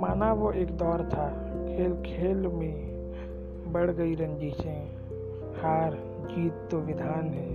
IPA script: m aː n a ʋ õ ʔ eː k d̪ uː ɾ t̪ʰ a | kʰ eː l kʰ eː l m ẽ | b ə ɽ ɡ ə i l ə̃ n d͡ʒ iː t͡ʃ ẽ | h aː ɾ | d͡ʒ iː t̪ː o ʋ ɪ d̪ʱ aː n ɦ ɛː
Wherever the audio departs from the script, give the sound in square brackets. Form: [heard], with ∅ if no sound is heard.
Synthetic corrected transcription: m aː n a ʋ [o] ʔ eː k d̪ [ɔː] ɾ t̪ʰ a | kʰ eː l kʰ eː l m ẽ | b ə ɽ ɡ ə i [ɾ] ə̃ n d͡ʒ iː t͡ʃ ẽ | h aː ɾ | d͡ʒ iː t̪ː o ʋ ɪ d̪ʱ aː n ɦ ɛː